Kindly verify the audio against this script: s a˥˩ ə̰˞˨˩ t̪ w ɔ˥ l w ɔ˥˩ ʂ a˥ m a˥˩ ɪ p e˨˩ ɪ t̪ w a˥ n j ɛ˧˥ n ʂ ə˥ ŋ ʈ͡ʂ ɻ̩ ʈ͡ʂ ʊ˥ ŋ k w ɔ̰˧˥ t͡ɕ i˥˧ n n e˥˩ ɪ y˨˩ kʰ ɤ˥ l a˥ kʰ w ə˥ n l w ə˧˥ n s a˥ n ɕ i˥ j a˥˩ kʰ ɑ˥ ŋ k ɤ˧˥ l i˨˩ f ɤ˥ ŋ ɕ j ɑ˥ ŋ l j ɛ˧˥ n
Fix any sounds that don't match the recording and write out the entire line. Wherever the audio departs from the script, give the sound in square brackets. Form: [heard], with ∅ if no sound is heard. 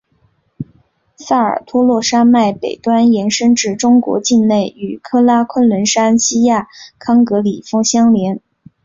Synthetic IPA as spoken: s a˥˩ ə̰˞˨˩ [t̪ʰ] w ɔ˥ l w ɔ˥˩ ʂ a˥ m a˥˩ ɪ p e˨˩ ɪ t̪ w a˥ n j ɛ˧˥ n ʂ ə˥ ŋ ʈ͡ʂ ɻ̩ ʈ͡ʂ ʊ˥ ŋ k w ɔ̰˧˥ t͡ɕ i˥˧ n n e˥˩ ɪ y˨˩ kʰ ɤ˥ l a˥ kʰ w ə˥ n l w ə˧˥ n [ʂ] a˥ n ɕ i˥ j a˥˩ kʰ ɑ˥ ŋ k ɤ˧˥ l i˨˩ f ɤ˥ ŋ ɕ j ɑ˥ ŋ l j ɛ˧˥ n